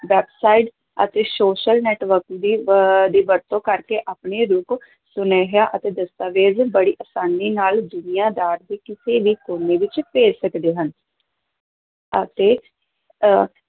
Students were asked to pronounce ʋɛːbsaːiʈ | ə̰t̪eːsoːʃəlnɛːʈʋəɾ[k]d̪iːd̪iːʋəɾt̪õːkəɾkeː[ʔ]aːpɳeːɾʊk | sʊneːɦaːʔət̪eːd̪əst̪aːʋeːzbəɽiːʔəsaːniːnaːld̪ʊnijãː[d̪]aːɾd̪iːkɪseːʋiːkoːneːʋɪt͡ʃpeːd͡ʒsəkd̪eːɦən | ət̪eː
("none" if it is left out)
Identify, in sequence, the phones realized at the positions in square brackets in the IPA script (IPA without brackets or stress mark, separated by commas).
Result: k, ʔ, d̪